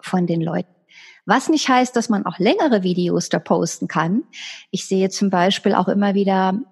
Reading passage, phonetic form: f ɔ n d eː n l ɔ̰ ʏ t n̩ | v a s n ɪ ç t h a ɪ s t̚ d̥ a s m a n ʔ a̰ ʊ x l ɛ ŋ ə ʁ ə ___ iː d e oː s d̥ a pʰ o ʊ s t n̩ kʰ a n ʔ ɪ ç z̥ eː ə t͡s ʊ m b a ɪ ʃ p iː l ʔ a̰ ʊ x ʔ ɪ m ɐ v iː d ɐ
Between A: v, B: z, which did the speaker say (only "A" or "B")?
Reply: A